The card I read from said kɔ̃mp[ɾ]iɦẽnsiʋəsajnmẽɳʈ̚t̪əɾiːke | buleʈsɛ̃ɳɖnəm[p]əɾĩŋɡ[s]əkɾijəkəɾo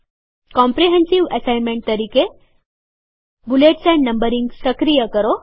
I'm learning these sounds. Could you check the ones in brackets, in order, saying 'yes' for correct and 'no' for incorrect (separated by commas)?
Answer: yes, no, yes